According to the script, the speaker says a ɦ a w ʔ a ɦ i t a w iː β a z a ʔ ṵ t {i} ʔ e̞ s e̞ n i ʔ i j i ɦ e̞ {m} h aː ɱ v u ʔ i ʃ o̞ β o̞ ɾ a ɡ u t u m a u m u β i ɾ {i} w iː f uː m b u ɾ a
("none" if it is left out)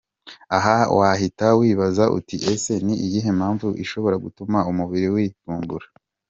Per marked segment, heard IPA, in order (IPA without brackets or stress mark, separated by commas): i, m, i